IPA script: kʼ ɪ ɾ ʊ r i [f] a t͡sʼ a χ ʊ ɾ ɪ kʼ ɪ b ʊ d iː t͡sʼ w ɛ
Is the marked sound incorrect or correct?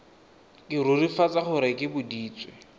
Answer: correct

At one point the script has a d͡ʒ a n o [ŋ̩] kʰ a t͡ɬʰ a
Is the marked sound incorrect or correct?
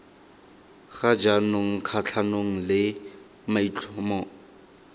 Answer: correct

